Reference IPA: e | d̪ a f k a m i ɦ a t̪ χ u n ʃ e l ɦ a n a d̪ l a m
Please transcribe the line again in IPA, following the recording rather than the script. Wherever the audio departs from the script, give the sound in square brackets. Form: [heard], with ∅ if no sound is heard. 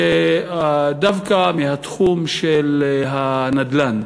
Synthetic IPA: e | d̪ a [v] k a m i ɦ a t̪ χ u [m] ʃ e l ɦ a n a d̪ l a [n]

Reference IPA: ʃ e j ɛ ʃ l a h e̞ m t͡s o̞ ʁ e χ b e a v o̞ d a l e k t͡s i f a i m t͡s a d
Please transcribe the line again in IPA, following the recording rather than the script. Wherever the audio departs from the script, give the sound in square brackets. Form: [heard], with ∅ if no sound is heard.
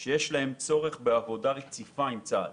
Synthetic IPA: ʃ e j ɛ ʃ l a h e̞ m t͡s o̞ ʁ e χ b e a v o̞ d a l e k t͡s i f a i m t͡s a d

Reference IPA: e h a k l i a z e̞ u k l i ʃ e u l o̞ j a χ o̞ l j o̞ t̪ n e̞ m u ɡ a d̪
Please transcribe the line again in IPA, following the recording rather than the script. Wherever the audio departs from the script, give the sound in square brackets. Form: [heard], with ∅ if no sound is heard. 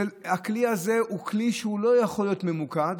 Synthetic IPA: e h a k l i a z e̞ u k l i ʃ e u l o̞ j a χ o̞ l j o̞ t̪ [m] e̞ m u [k] a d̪

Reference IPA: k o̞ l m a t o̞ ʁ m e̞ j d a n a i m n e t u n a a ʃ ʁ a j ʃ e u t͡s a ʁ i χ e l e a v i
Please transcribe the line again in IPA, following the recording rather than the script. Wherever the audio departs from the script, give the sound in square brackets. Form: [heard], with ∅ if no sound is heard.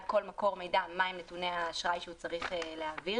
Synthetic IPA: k o̞ l m a [k] o̞ ʁ m e̞ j d a [m] a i m n e t u n [e] a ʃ ʁ a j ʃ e u t͡s a ʁ i χ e l e a v i

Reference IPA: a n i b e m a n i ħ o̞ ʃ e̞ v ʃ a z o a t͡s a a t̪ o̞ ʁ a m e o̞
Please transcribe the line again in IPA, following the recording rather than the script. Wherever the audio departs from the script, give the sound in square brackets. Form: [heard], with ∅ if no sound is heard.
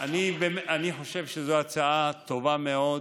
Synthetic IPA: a n i b e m a n i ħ o̞ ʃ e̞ v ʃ [e] z o a t͡s a a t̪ o̞ [v] a m e o̞

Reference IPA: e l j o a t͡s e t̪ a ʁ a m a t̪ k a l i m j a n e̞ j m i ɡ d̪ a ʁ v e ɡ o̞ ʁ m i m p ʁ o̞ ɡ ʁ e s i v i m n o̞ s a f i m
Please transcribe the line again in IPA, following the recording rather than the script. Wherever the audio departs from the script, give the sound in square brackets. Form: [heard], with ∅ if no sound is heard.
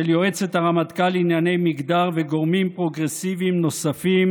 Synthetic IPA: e l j o [e] t͡s e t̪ a ʁ a m a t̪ k a l i [n] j a n e̞ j m i ɡ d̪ a ʁ v e ɡ o̞ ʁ m i m p ʁ o̞ ɡ ʁ e s i v i m n o̞ s a f i m

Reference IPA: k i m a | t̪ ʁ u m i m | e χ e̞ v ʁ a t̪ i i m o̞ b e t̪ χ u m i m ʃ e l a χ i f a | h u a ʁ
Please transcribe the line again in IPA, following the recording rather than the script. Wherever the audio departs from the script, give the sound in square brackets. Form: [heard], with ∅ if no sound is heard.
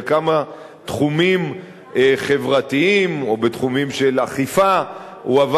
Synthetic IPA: k [a] m a | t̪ [χ] u m i m | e χ e̞ v ʁ a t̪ i i m o̞ b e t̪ χ u m i m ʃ e l a χ i f a | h u a [v]

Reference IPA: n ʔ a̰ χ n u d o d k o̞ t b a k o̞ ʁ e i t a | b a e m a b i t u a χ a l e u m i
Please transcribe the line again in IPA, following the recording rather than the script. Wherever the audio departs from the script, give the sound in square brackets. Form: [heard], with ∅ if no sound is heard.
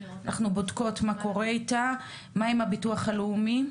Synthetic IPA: n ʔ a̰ χ n u [b] o d k o̞ t [m] a k o̞ ʁ e i t a | [m] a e m a b i t u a χ a l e u m i

